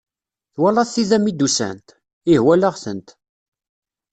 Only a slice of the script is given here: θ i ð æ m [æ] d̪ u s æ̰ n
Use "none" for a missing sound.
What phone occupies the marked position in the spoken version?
i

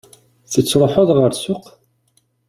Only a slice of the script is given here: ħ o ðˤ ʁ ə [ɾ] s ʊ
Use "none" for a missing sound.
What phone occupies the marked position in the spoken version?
ɾ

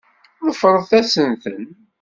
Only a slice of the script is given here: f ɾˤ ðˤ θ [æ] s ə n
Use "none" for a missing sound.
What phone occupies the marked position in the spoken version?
æ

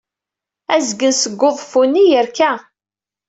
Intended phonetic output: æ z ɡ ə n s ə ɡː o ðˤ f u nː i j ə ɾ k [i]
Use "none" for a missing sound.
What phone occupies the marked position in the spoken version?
æ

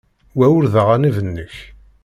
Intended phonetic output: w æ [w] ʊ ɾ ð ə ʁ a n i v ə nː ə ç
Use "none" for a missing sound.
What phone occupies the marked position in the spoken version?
w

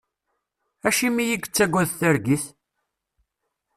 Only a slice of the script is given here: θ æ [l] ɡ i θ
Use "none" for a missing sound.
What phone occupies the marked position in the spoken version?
ɾ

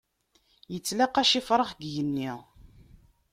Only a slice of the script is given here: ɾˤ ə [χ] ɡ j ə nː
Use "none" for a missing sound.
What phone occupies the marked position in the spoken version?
χ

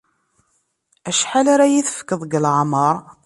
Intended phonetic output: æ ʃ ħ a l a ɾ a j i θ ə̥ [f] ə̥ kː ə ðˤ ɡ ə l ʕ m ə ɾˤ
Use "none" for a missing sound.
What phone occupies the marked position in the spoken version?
f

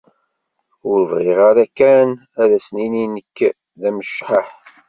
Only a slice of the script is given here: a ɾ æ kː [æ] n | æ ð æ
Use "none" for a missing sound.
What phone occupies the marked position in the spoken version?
æ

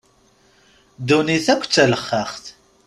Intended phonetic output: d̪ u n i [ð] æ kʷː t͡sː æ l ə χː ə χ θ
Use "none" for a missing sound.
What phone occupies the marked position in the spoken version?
θ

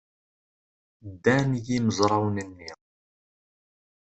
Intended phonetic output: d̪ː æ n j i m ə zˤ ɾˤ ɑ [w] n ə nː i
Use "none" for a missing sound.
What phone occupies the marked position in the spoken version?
w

